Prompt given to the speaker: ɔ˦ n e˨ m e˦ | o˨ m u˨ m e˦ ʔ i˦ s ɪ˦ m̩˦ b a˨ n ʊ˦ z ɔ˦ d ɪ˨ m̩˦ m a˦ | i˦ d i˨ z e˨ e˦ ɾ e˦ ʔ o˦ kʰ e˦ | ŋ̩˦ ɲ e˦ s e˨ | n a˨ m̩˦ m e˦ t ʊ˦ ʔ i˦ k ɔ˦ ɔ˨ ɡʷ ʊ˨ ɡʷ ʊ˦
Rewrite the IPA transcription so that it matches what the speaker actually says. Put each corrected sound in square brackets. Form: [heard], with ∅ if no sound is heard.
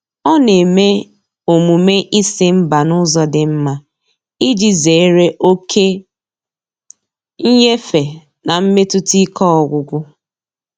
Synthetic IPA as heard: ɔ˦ n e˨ m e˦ | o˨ m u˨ m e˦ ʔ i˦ s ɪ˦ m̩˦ b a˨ n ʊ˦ z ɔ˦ d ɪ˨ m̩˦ m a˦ | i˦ [d͡ʒ] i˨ z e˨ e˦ ɾ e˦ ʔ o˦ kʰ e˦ | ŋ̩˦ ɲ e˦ [f] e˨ | n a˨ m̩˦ m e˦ t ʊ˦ [t] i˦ k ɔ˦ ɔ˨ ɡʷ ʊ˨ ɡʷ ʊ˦